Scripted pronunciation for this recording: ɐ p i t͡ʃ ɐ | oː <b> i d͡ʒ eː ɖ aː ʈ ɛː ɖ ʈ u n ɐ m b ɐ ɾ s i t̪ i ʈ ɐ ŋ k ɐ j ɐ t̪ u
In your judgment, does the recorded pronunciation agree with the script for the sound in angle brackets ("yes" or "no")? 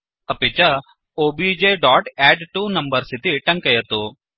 yes